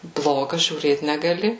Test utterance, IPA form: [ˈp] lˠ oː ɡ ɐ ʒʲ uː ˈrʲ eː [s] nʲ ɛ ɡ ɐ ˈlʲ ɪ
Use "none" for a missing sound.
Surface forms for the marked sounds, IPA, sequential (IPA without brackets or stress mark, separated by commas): b, t